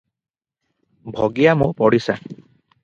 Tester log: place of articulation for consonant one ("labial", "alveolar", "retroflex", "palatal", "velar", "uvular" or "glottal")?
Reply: labial